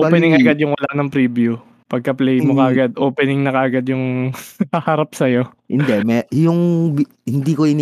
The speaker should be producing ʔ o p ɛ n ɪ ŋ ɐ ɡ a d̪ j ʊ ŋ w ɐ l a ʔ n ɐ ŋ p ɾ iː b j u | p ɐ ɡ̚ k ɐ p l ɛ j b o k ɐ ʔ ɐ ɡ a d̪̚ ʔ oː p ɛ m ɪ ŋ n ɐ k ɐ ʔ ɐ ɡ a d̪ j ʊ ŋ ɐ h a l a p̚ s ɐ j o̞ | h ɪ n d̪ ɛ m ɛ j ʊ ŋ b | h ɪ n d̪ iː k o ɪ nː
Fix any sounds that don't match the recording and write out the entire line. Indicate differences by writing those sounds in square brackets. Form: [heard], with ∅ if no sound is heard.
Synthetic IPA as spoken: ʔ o p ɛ n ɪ ŋ ɐ ɡ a d̪ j ʊ ŋ w ɐ l a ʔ n ɐ ŋ p ɾ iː b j u | p ɐ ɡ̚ k ɐ p l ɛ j [m] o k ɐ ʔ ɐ ɡ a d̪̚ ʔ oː p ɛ [n] ɪ ŋ n ɐ k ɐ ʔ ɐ ɡ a d̪ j ʊ ŋ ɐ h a [ɾ] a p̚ s ɐ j o̞ | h ɪ n d̪ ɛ m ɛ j ʊ ŋ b | h ɪ n d̪ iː k o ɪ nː